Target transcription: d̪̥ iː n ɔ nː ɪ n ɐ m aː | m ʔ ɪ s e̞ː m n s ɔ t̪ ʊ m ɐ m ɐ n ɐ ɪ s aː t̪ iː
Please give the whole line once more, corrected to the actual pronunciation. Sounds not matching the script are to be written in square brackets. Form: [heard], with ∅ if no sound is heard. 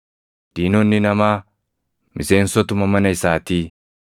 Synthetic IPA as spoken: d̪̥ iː n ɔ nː ɪ n ɐ m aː | m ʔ ɪ s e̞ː [∅] n s ɔ t̪ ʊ m ɐ m ɐ n ɐ ɪ s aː t̪ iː